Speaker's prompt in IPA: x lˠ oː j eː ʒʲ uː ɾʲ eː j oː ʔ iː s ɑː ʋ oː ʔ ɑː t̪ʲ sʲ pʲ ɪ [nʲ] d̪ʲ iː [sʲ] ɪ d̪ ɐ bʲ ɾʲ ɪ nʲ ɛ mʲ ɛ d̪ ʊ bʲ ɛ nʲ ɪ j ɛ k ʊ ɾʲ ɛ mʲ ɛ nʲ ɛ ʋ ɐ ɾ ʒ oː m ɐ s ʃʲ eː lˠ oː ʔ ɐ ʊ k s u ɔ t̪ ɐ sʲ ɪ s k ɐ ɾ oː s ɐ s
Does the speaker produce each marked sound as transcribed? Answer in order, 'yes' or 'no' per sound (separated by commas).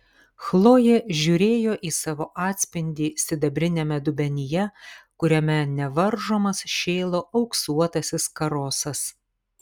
yes, yes